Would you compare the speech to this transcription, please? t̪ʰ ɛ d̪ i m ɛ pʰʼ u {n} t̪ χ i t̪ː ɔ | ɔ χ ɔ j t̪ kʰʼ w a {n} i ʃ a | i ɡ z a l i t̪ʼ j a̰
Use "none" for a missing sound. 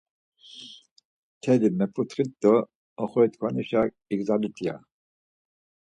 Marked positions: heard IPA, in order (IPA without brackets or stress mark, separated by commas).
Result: none, n